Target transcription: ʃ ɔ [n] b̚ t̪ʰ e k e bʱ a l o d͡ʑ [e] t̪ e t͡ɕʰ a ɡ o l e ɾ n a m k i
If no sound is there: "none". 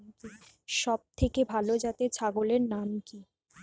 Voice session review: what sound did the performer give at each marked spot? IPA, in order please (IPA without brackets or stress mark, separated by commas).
none, a